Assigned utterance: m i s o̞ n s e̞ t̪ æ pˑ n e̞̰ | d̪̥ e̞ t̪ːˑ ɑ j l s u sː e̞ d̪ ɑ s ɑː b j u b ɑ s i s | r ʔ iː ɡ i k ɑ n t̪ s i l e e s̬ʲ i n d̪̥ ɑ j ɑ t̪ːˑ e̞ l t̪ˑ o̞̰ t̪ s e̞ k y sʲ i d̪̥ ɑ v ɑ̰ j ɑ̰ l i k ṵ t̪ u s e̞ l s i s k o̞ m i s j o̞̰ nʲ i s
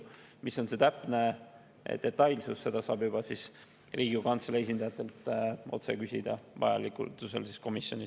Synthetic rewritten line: m i s o̞ n s e̞ t̪ æ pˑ n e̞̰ | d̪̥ e̞ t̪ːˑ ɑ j l s u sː e̞ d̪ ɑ s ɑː b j u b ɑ s i s | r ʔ iː ɡ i k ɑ n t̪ s e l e e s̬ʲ i n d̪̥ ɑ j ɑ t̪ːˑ e̞ l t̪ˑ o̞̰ t̪ s e̞ k y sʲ i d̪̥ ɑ v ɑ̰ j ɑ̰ l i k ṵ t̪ u s e̞ l s i s k o̞ m i s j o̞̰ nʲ i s